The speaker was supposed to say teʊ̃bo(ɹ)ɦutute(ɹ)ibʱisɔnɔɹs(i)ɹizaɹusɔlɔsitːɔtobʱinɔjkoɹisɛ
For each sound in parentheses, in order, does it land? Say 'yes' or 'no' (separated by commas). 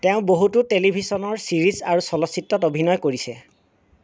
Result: no, no, yes